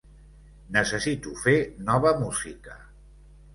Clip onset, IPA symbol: n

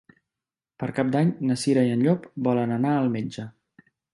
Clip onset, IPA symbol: p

